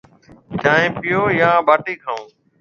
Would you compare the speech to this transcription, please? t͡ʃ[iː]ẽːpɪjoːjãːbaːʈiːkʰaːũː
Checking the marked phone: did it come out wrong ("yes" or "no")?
yes